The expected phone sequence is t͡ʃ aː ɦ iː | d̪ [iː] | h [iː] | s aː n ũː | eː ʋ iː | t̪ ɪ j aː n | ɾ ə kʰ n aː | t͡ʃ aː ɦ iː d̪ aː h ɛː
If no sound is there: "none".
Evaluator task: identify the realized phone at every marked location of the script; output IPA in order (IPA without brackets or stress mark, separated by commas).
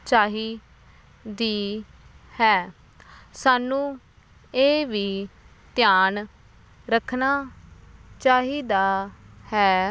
iː, ɛː